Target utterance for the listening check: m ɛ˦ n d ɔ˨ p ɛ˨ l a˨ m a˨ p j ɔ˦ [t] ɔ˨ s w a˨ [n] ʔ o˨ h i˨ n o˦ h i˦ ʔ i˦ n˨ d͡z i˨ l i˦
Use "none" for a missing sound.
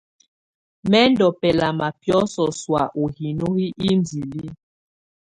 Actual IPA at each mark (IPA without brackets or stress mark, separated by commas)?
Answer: s, none